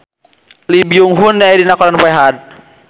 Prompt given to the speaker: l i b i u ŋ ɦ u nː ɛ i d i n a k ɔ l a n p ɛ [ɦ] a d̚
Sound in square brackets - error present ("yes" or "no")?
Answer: no